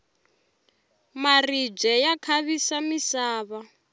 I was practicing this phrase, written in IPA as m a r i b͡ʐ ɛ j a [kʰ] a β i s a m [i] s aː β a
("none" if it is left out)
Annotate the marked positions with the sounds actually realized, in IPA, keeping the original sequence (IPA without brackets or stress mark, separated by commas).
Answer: kʰ, i